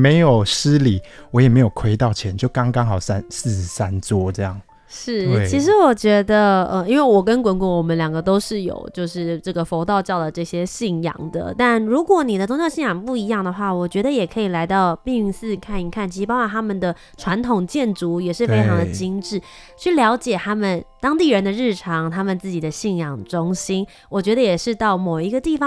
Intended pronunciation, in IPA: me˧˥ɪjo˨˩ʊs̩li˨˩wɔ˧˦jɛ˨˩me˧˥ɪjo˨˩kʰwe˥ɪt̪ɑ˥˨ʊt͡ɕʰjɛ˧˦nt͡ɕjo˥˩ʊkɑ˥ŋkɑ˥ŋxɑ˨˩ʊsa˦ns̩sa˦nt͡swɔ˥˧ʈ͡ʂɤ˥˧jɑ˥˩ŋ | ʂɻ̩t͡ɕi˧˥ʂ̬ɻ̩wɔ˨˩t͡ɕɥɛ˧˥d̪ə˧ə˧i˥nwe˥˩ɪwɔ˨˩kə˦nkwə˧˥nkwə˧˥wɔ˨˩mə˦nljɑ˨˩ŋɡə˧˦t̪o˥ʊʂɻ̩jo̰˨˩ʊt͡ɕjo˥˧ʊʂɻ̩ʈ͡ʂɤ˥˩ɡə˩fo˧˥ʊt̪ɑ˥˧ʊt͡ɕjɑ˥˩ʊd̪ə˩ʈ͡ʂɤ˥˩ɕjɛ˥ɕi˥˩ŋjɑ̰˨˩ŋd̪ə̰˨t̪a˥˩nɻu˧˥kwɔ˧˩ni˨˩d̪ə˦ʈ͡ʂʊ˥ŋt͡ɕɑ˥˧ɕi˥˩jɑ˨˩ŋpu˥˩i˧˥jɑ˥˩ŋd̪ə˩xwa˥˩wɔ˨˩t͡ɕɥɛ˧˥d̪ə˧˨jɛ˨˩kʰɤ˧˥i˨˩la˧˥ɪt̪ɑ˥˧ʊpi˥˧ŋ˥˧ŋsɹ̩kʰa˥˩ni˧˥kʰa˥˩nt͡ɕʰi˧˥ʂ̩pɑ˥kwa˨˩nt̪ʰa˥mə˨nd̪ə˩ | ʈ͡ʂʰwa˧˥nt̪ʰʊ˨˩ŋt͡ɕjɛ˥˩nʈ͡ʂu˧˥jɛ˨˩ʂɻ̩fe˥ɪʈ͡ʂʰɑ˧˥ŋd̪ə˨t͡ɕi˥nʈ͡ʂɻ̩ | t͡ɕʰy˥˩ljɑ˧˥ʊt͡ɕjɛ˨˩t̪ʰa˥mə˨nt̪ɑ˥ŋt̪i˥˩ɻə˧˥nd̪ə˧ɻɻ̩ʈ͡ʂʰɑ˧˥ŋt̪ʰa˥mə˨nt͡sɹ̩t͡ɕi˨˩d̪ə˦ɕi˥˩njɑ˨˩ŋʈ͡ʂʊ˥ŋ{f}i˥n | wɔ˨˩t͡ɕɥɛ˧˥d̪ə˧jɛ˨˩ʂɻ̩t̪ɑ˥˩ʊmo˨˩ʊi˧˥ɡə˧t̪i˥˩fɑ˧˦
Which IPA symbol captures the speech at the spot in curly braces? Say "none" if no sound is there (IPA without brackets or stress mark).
ɕ